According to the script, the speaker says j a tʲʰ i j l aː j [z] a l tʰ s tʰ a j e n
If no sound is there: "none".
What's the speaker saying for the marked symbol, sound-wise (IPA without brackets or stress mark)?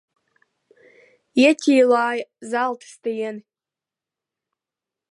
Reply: z